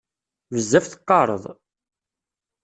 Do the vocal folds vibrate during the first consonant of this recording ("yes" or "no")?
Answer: yes